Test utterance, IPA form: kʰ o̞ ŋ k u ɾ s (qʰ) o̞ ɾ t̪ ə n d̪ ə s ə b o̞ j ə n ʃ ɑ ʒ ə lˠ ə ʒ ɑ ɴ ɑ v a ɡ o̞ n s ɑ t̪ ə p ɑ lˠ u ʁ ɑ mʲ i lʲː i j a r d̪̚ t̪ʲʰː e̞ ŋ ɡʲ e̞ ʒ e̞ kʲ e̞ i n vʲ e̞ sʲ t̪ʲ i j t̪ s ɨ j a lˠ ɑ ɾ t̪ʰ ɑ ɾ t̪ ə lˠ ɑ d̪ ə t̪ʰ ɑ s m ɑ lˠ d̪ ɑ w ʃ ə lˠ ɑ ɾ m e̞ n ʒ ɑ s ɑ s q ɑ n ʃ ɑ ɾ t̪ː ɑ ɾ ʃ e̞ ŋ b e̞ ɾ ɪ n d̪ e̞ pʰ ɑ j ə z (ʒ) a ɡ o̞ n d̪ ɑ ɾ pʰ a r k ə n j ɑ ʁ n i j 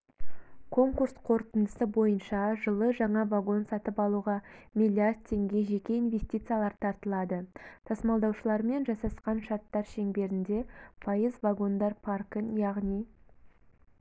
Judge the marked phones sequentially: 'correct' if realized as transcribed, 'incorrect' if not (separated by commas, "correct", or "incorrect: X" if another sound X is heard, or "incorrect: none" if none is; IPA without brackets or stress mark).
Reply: correct, incorrect: v